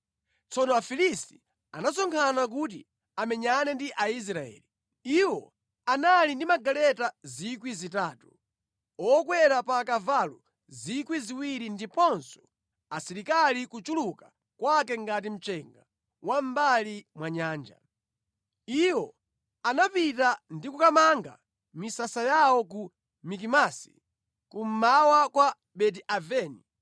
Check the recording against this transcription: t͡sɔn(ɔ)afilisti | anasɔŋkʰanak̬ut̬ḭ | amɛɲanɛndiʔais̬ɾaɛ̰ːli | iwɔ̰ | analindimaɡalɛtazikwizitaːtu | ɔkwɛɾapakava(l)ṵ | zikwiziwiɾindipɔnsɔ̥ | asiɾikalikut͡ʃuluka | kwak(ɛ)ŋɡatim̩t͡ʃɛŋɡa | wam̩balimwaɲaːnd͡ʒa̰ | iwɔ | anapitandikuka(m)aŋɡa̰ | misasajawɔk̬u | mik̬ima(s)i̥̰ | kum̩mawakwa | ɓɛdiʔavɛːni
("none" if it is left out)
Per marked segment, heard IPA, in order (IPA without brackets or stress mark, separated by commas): ɔ, l, ɛ, m, s